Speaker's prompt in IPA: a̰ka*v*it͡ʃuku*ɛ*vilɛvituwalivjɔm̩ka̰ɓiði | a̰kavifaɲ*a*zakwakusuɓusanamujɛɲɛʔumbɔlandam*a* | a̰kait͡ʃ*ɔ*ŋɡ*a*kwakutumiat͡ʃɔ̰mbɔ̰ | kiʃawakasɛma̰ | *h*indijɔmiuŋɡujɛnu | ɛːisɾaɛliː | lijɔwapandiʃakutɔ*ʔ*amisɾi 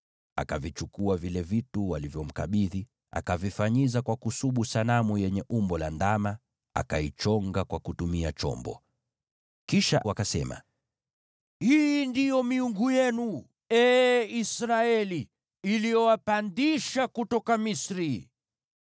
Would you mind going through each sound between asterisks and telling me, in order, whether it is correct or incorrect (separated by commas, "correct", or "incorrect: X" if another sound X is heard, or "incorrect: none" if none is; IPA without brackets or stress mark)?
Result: correct, incorrect: a, incorrect: i, correct, correct, correct, correct, incorrect: k